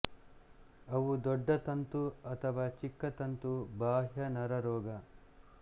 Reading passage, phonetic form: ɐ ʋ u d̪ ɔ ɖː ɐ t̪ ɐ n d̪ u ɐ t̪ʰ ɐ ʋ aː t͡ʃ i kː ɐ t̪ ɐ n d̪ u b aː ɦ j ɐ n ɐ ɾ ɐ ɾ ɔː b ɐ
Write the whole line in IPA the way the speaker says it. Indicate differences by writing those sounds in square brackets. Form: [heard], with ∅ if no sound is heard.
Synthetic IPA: ɐ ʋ u d̪ ɔ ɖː ɐ t̪ ɐ n [t̪] u ɐ t̪ʰ ɐ ʋ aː t͡ʃ i kː ɐ t̪ ɐ n [t̪] u b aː ɦ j ɐ n ɐ ɾ ɐ ɾ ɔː [ɡ] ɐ